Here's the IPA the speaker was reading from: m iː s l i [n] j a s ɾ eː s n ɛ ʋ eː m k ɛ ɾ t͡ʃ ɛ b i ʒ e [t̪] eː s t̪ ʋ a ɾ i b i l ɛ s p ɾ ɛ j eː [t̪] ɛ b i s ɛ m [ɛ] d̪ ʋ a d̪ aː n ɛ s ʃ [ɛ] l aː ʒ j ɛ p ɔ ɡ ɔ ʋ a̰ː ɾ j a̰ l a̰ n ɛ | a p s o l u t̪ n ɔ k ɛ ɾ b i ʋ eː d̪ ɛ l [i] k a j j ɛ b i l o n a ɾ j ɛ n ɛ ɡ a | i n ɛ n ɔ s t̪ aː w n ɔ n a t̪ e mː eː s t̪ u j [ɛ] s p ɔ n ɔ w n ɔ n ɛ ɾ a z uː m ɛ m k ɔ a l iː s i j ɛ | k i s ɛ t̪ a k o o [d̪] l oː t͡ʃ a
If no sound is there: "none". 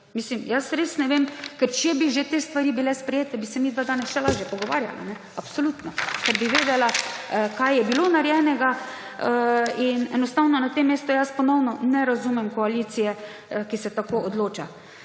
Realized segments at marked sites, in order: m, t̪, t̪, i, ɛ, a, a, d̪

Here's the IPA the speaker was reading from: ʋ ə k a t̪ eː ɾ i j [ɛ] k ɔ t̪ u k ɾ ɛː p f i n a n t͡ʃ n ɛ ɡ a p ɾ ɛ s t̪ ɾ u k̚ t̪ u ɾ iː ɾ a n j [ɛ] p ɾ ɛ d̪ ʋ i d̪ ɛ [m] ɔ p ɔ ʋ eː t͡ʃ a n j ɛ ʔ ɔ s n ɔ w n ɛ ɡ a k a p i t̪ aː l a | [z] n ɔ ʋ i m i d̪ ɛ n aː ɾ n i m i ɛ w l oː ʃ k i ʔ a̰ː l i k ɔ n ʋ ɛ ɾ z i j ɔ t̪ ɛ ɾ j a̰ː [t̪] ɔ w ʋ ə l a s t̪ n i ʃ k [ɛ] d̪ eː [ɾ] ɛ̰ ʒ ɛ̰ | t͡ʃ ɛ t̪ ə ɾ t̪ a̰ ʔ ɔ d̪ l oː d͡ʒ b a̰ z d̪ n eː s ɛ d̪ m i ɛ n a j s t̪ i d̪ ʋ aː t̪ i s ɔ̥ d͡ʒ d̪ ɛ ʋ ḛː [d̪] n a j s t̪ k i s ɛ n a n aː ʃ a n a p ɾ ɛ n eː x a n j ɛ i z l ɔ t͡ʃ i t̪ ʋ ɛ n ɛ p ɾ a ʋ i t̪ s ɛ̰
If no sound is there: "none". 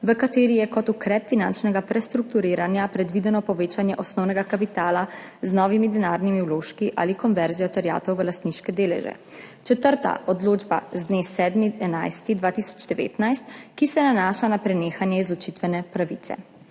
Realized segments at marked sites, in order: ɛ, a, n, z, t̪, ɛ, l, t̪

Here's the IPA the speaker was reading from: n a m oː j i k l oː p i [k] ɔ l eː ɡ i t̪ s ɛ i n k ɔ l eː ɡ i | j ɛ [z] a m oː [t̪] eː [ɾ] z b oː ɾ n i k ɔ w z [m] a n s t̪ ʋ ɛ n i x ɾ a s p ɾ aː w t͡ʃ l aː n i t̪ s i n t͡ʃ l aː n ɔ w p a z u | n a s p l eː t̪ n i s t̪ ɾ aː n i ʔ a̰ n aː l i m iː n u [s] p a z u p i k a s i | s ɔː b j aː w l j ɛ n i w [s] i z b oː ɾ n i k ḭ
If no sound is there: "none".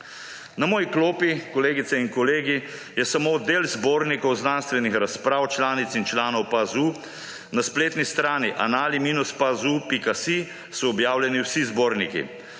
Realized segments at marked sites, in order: k, s, d̪, l, n, s, s

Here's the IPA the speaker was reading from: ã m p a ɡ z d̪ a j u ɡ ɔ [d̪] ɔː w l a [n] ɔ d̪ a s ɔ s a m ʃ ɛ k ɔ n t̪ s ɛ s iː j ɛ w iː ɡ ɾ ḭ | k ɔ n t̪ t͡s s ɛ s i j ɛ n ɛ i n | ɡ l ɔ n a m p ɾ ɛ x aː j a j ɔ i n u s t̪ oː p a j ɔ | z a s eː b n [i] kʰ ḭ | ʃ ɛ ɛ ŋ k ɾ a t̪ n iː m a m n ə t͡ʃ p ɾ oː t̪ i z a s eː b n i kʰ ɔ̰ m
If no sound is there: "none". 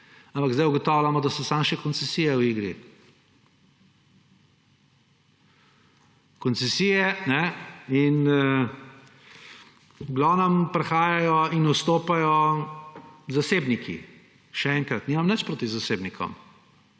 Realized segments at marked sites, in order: t̪, m, i

